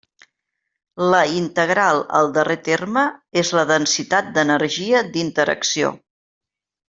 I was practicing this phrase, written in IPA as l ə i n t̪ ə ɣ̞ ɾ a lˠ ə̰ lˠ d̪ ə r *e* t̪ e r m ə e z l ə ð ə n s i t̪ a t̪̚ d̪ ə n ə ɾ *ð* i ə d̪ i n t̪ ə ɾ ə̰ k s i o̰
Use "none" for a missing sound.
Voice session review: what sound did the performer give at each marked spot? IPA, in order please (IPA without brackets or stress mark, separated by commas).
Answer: e, ʒ